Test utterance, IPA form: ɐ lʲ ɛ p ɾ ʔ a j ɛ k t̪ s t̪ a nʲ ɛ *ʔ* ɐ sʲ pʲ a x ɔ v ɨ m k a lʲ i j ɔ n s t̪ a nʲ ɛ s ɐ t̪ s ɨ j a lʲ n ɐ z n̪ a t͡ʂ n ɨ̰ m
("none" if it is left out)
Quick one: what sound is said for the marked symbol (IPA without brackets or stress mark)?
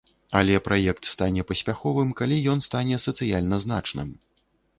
p